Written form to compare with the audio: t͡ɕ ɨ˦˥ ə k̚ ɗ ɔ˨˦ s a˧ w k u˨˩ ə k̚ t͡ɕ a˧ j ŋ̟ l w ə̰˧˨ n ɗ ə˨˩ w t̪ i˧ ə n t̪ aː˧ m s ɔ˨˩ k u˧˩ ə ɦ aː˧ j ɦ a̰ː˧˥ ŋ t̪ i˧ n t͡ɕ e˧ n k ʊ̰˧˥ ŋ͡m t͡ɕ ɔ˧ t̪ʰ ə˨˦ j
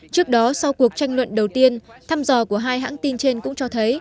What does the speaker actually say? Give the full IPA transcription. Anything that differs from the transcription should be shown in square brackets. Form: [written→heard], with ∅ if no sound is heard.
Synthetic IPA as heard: t͡ɕ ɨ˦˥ ə k̚ ɗ ɔ˨˦ s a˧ w k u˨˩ ə k̚ t͡ɕ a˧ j ŋ̟ l w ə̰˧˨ n ɗ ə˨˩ w t̪ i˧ ə n [t̪→t̪ʰ] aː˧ m [s→z] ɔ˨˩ k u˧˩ ə ɦ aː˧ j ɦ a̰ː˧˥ ŋ t̪ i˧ n t͡ɕ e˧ n k ʊ̰˧˥ ŋ͡m t͡ɕ ɔ˧ t̪ʰ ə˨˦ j